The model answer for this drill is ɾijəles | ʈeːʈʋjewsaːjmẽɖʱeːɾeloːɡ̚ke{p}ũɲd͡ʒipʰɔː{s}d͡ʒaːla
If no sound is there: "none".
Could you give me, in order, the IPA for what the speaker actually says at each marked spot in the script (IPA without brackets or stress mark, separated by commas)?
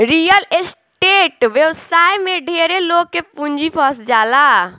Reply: p, s